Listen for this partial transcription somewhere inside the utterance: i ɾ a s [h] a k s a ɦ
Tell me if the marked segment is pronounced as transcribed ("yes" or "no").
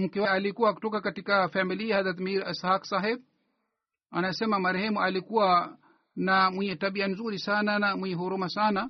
yes